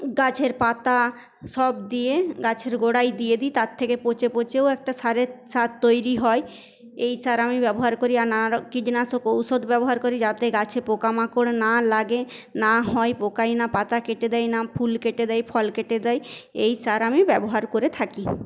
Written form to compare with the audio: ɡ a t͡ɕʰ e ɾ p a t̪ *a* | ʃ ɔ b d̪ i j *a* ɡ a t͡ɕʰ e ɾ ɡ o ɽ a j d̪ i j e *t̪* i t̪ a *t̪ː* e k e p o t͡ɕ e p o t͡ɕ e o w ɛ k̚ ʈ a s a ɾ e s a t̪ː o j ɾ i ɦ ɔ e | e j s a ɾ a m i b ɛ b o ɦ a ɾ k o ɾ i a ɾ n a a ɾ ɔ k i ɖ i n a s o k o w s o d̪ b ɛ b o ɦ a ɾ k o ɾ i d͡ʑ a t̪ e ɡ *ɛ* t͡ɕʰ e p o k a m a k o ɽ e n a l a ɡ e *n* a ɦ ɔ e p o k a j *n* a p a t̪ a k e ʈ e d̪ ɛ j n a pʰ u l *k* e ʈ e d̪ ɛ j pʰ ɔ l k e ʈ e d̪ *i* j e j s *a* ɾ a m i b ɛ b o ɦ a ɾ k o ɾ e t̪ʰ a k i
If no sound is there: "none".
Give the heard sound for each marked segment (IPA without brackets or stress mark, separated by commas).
a, e, d̪, t̪ʰː, a, n, n, k, ɛ, a